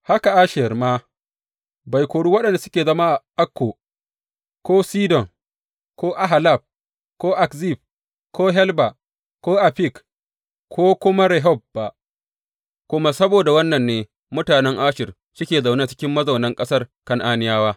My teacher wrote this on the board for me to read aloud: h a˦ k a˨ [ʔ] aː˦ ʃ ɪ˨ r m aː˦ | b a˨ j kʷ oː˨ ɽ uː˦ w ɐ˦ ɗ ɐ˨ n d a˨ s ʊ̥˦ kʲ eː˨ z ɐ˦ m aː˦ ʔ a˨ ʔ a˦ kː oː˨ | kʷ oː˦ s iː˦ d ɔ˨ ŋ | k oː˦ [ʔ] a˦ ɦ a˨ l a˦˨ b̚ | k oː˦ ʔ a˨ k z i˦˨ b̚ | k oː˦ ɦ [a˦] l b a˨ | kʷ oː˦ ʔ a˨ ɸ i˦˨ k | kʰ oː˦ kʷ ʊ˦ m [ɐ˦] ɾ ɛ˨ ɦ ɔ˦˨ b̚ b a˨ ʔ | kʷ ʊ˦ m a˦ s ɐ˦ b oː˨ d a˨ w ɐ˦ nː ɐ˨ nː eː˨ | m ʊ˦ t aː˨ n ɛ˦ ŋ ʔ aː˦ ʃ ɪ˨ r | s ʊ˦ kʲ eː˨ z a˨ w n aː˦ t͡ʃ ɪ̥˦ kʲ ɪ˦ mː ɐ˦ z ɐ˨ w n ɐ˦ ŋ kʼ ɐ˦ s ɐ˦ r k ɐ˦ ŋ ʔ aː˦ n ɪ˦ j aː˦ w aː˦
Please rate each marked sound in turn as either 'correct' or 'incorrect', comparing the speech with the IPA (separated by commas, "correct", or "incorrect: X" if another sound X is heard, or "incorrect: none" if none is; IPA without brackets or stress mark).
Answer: correct, correct, incorrect: ɛ˦, incorrect: a˦